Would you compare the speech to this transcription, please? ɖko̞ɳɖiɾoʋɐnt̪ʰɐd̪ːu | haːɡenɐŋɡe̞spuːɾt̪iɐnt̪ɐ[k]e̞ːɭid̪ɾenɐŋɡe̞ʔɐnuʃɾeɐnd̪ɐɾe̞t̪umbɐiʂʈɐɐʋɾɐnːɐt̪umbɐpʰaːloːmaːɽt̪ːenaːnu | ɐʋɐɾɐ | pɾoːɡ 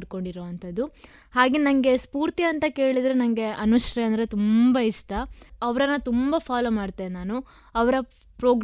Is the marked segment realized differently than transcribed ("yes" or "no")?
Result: no